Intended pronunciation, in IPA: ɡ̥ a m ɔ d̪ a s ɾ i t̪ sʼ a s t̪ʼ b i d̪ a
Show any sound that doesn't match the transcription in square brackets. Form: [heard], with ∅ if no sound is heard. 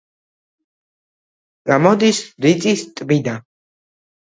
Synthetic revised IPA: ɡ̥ a m ɔ d̪ [i] s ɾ i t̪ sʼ [i] s t̪ʼ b i d̪ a